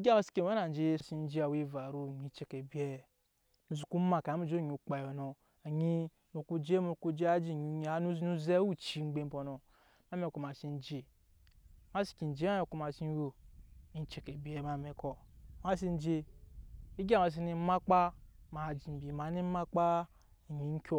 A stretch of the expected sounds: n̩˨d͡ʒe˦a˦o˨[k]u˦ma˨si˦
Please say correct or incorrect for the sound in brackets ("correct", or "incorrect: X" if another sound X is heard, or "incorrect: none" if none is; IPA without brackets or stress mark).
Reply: correct